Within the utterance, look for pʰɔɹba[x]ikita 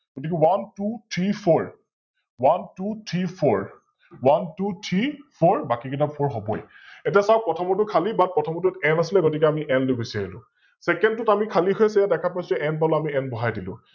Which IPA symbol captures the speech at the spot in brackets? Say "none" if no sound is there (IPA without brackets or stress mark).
k